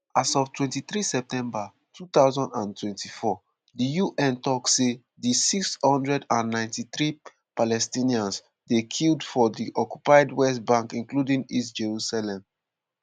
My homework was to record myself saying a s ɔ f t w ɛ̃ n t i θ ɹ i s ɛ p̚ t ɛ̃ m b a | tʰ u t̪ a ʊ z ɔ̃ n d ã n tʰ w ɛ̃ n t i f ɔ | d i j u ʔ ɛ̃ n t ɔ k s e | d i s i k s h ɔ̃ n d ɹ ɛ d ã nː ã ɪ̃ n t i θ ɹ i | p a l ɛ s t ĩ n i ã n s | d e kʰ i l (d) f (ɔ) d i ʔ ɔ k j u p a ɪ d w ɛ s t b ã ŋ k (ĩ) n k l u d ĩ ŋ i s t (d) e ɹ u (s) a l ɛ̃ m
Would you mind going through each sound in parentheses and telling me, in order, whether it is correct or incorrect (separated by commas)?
correct, correct, correct, incorrect, correct